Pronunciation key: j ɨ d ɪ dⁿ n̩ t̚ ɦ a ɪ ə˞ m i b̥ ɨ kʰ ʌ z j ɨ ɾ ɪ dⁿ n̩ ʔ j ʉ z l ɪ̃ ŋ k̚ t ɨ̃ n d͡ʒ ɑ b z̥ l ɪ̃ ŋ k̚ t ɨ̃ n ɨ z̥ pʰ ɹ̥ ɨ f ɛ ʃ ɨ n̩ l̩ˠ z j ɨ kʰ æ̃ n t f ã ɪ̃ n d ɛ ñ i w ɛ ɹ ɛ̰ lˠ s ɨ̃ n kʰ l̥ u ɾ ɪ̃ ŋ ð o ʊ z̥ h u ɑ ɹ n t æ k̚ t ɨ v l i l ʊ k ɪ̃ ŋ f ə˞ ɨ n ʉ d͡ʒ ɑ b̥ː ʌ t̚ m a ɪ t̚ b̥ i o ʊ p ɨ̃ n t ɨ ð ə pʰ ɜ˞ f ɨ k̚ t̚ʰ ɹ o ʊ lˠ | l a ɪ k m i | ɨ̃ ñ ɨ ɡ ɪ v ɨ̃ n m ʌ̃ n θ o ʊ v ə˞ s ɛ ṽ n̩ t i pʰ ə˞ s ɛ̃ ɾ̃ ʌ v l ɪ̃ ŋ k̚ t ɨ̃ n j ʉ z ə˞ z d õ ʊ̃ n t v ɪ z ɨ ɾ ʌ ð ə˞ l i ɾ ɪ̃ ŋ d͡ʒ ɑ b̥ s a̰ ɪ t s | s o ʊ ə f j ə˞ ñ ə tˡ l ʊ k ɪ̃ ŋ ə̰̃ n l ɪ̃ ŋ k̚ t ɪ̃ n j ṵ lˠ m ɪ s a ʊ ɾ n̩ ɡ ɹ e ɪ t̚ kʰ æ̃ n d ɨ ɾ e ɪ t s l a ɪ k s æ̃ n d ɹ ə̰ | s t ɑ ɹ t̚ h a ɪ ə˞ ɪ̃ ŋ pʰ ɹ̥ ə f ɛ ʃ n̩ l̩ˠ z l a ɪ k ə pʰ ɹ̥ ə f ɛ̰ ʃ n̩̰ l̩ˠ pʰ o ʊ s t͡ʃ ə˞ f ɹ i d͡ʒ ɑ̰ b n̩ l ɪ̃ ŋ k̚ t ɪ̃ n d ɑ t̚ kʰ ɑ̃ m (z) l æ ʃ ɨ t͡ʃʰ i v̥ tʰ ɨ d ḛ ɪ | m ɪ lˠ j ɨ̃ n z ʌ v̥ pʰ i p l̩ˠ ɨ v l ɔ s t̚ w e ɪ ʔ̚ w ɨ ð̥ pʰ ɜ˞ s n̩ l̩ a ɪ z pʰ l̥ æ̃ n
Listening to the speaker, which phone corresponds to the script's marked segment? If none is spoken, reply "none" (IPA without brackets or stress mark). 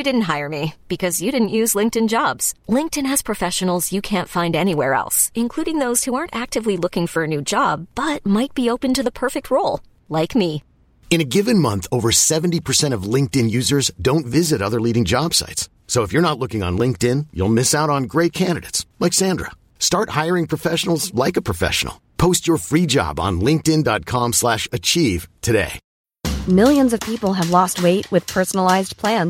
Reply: s